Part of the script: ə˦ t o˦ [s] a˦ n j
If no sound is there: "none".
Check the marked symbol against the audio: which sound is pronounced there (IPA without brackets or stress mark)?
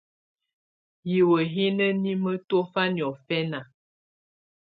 f